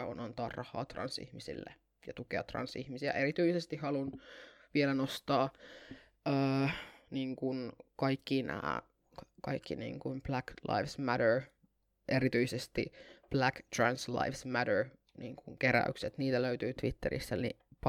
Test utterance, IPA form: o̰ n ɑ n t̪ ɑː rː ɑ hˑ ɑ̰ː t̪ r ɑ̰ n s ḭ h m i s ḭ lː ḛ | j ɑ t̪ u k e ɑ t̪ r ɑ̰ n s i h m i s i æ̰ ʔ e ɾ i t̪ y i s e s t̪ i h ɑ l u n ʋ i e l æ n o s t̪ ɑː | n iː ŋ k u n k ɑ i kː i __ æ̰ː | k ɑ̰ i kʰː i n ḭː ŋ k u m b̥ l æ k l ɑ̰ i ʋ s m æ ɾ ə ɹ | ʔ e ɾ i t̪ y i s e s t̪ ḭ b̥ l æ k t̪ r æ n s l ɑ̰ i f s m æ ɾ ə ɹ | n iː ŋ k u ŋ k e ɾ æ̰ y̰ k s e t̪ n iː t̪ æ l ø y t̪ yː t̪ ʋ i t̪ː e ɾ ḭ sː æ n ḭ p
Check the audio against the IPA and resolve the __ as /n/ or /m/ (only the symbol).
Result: n